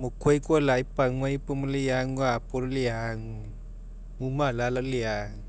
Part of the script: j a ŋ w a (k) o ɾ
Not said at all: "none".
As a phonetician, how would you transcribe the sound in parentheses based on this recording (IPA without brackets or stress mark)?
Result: p